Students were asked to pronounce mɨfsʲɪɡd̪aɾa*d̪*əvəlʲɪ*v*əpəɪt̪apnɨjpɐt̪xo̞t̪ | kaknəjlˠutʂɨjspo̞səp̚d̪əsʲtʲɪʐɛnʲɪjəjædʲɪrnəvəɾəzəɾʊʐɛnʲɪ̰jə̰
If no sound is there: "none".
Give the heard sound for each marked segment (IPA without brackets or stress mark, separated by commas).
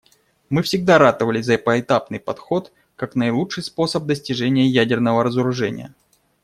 t̪, z